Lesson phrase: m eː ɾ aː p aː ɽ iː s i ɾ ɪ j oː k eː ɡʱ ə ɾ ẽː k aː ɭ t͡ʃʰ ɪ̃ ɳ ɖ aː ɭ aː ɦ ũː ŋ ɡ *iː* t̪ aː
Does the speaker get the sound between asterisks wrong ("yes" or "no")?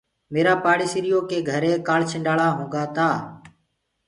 yes